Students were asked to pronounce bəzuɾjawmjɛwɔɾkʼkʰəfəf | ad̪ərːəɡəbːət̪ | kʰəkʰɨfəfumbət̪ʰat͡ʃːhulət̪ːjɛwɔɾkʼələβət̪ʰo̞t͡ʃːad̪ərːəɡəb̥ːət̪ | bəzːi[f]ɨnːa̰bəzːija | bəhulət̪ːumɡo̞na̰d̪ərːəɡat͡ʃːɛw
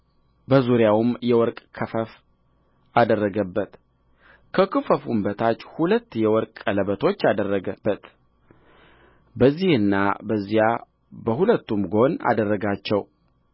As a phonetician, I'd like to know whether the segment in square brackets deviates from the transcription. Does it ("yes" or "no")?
yes